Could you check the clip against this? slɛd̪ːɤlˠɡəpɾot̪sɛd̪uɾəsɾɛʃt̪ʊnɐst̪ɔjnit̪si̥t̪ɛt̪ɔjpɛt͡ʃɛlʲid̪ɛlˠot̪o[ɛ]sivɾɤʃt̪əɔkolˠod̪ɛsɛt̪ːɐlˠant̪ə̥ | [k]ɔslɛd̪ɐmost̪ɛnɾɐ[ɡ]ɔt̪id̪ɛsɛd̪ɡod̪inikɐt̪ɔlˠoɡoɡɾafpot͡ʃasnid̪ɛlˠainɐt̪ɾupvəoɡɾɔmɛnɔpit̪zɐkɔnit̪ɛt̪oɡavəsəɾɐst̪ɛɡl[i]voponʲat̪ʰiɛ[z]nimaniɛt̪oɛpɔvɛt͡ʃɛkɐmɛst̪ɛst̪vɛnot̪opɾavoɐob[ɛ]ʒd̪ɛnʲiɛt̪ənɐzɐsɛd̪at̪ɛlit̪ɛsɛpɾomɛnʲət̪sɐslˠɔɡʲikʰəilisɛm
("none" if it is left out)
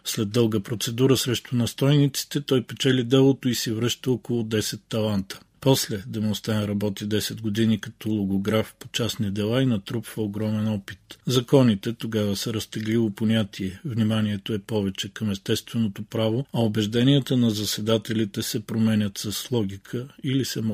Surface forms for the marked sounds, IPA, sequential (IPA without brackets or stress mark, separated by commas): i, p, b, i, v, ɛ